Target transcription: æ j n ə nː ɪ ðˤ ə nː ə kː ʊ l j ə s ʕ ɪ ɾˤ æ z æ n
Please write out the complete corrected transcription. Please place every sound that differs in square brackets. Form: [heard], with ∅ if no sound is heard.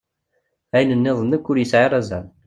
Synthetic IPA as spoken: æ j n ə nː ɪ ðˤ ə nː ə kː ʊ [ɾ] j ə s ʕ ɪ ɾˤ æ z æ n